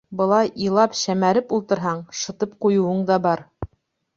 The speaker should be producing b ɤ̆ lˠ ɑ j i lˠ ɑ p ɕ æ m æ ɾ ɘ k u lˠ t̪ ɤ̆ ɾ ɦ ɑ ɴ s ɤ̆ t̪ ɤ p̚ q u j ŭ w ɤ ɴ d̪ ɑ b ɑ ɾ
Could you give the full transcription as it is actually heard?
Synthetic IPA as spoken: b ɤ̆ lˠ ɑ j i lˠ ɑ p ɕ æ m æ ɾ ɘ p u lˠ t̪ ɤ̆ ɾ ɦ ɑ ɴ ʃ ɤ̆ t̪ ɤ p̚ q u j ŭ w ɤ ɴ d̪ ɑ b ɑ ɾ